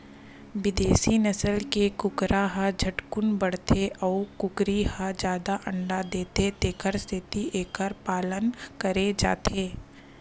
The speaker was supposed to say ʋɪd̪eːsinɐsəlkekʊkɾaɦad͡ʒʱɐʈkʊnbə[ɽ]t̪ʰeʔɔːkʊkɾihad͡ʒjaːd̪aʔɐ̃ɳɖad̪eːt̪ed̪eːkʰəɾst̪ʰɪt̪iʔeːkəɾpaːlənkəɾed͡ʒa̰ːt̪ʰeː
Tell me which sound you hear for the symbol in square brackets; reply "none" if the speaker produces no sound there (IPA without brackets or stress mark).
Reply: ɽ